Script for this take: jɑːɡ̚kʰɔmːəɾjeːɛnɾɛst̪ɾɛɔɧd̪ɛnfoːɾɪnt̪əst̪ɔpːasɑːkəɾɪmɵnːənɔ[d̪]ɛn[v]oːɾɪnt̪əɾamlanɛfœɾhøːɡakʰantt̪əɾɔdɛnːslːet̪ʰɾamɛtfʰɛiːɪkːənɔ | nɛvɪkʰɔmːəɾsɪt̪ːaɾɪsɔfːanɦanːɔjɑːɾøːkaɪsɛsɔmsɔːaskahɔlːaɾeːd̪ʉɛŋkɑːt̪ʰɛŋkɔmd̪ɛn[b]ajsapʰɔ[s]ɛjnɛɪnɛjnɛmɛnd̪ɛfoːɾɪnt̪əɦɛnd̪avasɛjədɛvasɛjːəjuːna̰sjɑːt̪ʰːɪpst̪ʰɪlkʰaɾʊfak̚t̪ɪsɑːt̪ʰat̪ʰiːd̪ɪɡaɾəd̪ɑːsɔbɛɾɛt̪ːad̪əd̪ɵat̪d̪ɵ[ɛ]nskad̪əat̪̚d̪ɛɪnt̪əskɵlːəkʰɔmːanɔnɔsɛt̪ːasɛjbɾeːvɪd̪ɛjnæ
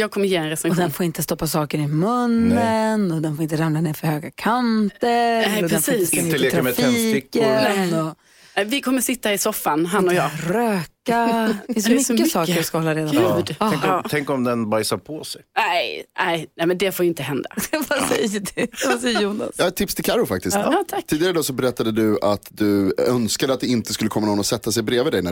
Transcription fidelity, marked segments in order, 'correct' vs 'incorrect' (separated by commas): correct, incorrect, correct, correct, incorrect